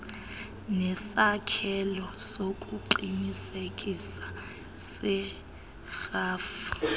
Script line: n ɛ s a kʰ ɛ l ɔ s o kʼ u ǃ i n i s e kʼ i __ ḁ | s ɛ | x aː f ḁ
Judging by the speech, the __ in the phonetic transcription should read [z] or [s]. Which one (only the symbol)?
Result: s